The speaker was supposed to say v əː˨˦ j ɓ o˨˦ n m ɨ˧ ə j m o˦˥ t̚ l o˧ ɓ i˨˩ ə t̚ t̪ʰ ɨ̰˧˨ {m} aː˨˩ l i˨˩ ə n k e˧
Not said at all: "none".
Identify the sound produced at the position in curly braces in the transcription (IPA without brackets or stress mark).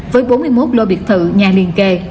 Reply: ɲ